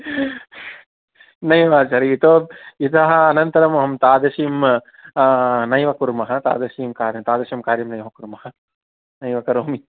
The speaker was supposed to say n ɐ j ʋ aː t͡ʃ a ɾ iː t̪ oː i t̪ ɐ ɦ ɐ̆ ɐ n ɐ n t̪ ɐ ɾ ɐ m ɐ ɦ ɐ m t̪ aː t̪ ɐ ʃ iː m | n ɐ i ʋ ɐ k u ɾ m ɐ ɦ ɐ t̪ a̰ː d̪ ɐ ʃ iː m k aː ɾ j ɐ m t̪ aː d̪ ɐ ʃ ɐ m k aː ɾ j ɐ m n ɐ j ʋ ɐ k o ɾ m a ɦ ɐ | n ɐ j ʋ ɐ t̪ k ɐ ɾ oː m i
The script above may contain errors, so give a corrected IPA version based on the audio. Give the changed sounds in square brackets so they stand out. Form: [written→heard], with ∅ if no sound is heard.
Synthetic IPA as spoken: n ɐ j ʋ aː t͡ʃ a ɾ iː t̪ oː i t̪ ɐ ɦ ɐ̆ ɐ n ɐ n t̪ ɐ ɾ ɐ m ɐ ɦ ɐ m t̪ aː [t̪→d̪] ɐ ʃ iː m | n ɐ [i→j] ʋ ɐ k u ɾ m ɐ ɦ ɐ t̪ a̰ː d̪ ɐ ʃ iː m k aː ɾ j ɐ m t̪ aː d̪ ɐ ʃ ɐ m k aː ɾ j ɐ m n ɐ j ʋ ɐ k [o→u] ɾ m [a→ɐ] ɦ ɐ | n ɐ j ʋ ɐ [t̪→∅] k ɐ ɾ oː m i